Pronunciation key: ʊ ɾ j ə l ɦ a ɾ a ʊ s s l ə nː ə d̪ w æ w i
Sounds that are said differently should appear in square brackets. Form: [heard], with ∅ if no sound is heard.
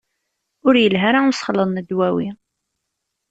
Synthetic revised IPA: ʊ ɾ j ə l ɦ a ɾ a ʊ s [χ] l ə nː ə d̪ w æ w i